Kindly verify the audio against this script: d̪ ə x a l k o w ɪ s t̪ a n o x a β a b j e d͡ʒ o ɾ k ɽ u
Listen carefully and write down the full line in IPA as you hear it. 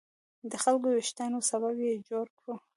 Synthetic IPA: d̪ ə x a l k o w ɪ ʃ t̪ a n o s a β a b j e d͡ʒ o ɾ k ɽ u